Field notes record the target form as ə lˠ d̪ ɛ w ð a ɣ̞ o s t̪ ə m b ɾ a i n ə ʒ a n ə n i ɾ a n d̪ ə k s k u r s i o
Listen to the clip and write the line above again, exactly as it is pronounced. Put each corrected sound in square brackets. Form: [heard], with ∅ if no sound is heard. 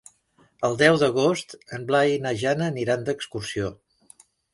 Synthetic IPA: ə lˠ d̪ ɛ w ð [ə] ɣ̞ o s t̪ ə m b [l] a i n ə ʒ a n ə n i ɾ a n d̪ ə k s k u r s i o